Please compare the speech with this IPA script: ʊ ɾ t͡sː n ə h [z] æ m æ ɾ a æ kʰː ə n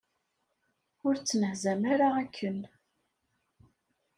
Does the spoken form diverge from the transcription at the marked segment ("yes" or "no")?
no